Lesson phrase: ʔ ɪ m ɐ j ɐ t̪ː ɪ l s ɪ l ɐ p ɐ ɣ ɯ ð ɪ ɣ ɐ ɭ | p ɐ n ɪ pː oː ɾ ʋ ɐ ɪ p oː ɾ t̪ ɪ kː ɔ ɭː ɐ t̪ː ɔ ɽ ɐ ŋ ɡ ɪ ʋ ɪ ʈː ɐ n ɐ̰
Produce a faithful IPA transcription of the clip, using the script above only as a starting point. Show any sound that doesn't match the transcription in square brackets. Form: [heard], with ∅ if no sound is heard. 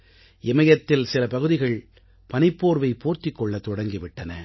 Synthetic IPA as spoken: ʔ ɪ m ɐ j ɐ t̪ː ɪ l s ɪ l ɐ p ɐ ɣ ɯ ð ɪ ɣ ɐ ɭ | p ɐ n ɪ pː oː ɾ ʋ ɐ ɪ p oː ɾ t̪ ɪ kː ɔ ɭː ɐ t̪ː ɔ ɽ ɐ ŋ ɡ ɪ ʋ ɪ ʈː ɐ n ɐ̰